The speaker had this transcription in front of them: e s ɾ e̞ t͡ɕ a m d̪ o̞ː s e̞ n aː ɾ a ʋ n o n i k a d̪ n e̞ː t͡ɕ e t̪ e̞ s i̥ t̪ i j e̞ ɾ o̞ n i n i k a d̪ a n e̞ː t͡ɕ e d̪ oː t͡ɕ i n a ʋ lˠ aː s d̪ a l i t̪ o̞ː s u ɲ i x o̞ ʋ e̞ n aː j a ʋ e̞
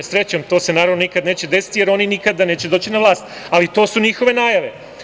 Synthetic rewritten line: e s ɾ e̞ t͡ɕ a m t̪ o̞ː s e̞ n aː ɾ a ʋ n o n i k a d̪ n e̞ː t͡ɕ e d̪ e̞ s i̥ t̪ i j e̞ ɾ o̞ n i n i k a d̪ a n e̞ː t͡ɕ e d̪ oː t͡ɕ i n a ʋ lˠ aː s t̪ a l i t̪ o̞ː s u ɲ i x o̞ ʋ e̞ n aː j a ʋ e̞